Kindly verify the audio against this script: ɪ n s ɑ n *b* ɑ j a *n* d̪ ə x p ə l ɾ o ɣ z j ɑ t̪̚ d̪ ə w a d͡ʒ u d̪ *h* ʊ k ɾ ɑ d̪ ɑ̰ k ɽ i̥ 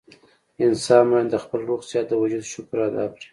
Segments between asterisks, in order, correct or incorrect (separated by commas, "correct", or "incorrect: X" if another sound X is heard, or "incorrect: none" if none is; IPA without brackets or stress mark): incorrect: m, correct, incorrect: ʃ